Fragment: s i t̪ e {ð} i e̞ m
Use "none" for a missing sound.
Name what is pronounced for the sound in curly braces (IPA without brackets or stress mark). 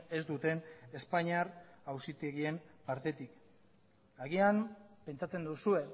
ɣ